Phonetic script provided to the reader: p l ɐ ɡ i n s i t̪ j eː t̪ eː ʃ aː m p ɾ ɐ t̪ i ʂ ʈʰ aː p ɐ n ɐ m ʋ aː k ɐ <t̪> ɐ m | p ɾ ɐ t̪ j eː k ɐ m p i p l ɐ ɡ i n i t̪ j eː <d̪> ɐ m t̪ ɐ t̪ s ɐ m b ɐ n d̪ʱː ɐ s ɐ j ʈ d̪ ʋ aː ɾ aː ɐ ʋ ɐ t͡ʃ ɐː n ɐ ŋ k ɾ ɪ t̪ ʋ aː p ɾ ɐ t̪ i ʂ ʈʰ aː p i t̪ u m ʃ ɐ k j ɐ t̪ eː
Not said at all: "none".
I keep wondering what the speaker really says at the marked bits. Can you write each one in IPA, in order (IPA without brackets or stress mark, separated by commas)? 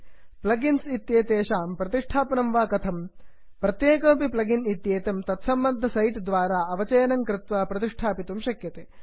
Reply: t̪ʰ, t̪